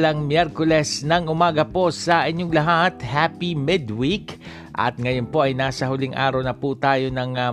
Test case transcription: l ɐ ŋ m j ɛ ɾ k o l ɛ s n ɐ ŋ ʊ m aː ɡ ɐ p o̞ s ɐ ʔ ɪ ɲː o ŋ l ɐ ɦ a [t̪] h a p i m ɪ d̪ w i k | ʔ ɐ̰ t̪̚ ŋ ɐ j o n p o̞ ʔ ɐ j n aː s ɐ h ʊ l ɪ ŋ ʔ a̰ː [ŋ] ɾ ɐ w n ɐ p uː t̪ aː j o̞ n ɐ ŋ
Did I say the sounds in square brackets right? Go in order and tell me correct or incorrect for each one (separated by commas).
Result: correct, incorrect